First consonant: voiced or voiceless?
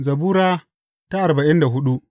voiced